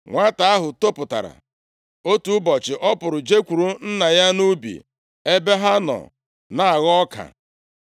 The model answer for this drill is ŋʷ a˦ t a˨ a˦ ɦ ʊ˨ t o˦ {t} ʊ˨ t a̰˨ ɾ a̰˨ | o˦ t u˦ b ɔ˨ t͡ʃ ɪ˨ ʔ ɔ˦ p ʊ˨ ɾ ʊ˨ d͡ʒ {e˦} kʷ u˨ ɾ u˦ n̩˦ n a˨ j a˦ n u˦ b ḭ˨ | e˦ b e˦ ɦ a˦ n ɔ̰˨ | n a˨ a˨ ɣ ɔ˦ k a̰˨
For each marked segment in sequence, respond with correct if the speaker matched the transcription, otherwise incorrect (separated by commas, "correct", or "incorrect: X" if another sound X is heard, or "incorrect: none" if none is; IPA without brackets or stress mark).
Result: incorrect: p, correct